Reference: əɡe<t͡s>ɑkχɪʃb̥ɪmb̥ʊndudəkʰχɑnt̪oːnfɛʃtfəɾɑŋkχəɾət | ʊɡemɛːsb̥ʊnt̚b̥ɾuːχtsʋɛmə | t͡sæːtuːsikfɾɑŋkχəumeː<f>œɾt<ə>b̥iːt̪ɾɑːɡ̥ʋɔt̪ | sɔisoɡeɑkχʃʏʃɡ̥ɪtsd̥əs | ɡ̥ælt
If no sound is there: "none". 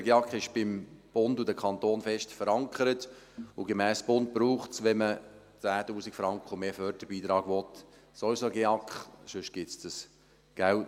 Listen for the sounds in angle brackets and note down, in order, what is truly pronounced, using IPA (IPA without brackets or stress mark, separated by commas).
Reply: none, f, ə